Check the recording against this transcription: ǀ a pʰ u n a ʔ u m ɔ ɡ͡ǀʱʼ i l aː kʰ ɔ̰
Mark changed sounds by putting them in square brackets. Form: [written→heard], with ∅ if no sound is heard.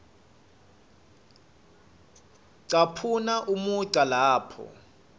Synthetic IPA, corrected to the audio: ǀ a pʰ u n a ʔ u m [ɔ→u] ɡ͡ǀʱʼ [i→a] l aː [kʰ→pʰ] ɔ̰